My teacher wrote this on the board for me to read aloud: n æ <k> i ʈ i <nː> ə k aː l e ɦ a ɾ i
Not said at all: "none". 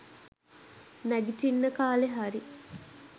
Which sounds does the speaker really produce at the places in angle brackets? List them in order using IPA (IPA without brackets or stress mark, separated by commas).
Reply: ɡ, nː